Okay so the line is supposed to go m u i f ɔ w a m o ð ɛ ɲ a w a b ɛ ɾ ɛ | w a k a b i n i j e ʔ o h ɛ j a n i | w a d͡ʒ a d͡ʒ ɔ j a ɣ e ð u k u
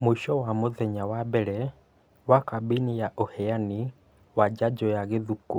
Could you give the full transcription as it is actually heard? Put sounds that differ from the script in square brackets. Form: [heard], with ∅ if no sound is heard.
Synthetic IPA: m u i [ʃ] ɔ w a m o ð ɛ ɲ a w a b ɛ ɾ ɛ | w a k a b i n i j [a] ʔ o h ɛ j a n i | w a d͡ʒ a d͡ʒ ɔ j a ɣ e ð u k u

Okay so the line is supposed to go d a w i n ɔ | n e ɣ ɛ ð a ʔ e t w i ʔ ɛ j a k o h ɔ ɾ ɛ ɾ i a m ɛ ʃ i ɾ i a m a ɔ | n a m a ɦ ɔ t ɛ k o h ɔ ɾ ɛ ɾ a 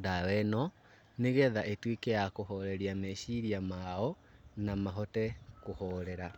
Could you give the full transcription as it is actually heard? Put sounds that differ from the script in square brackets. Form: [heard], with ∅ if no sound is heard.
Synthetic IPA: d a w [ɛ] n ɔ | n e ɣ ɛ ð a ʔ e t w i [k] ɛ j a k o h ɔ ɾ ɛ ɾ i a m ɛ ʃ i ɾ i a m a ɔ | n a m a ɦ ɔ t ɛ k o h ɔ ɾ ɛ ɾ a

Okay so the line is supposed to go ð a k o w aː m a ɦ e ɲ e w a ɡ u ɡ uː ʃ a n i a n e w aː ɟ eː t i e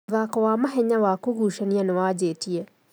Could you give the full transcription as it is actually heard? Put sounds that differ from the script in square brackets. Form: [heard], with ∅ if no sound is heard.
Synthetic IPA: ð a k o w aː m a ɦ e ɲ [a] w a [k] u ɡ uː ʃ a n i a n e w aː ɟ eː t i e

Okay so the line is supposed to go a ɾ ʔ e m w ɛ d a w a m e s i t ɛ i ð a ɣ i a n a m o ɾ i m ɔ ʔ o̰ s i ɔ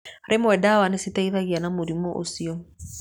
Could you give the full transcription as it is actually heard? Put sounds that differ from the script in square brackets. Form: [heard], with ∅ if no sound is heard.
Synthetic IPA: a ɾ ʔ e m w ɛ d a w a [n] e s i t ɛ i ð a ɣ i a n a m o ɾ i m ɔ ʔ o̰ s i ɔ

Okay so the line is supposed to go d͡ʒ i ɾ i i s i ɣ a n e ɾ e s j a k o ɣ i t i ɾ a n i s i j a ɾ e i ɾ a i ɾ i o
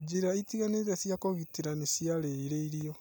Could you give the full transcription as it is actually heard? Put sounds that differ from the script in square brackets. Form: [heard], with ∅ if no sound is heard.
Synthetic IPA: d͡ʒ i ɾ [a] i [t] i ɣ a n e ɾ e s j a k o ɣ i t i ɾ a n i s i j a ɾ e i ɾ [e] i ɾ i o

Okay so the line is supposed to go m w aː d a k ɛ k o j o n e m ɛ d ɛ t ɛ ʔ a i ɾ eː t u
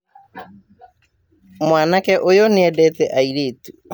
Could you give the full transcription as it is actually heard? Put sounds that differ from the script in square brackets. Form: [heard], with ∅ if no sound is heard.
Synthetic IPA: m w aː [n] a k ɛ [ʔ] o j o n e [∅] ɛ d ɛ t ɛ ʔ a i ɾ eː t u

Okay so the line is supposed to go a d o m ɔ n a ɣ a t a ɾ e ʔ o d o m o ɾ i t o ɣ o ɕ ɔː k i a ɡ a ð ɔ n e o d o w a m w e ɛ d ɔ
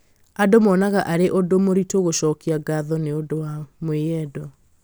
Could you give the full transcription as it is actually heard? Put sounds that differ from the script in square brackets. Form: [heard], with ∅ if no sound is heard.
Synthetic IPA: a d o m ɔ n a ɣ a [ʔ] a ɾ e ʔ o d o m o ɾ i t o ɣ o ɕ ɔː k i a ɡ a ð ɔ n e o d o w a m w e ɛ d ɔ

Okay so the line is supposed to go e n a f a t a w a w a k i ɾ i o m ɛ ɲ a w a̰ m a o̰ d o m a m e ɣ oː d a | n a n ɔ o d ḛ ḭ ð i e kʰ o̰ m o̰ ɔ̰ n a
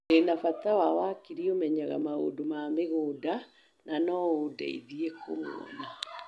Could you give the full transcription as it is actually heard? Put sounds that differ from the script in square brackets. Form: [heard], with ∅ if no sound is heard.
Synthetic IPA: e n a f a t a w a w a k i ɾ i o m ɛ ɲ a [ɣ] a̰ m a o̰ d o m a m e ɣ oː d a | n a n ɔ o d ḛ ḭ ð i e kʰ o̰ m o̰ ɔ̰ n a

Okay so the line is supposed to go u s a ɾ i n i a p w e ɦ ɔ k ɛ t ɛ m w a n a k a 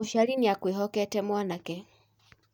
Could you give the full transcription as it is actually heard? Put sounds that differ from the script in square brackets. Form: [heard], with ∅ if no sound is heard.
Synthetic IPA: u [ʃ] a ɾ i n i a [k] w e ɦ ɔ k ɛ t ɛ m w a n a k [ɛ]

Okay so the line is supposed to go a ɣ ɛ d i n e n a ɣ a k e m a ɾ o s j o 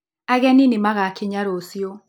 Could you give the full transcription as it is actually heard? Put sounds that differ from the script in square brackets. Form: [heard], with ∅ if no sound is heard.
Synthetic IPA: a ɣ ɛ [n] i n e [m] a ɣ a k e [ɲ] a ɾ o s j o

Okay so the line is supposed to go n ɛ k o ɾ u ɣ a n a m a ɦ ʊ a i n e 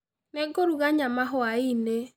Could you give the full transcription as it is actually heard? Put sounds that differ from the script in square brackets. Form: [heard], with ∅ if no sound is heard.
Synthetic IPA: n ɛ [ɡ] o ɾ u ɣ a [ɲ] a m a ɦ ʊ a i n e

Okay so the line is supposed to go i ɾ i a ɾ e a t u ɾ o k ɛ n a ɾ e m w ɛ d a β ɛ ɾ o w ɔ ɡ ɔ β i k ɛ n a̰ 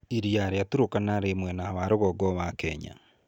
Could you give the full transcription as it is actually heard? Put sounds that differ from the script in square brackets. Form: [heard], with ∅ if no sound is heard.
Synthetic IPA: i ɾ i a ɾ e a t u ɾ o k [a] n a ɾ e m w ɛ [n] a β [a] ɾ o [ɣ] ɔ ɡ ɔ β [a] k ɛ [ɲ] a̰

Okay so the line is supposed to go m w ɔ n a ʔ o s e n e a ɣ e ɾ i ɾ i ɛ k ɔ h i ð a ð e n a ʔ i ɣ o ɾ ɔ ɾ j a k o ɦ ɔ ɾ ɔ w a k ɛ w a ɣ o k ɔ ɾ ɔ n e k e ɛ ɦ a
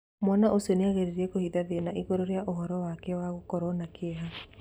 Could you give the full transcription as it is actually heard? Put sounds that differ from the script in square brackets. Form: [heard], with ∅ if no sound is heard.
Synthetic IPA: m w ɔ n a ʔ o s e n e a ɣ e ɾ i ɾ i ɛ k [o] h i ð a ð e n a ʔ i ɣ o ɾ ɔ ɾ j a [ʔ] o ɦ ɔ ɾ ɔ w a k ɛ w a ɣ o k ɔ ɾ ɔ n [a] k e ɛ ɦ a

